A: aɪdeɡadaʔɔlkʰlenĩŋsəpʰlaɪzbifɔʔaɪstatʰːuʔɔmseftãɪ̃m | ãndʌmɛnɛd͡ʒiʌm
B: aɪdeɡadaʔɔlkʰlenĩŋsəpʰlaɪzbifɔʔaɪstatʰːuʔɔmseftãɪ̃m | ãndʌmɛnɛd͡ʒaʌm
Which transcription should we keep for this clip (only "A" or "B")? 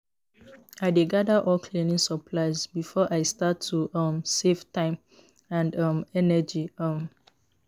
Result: A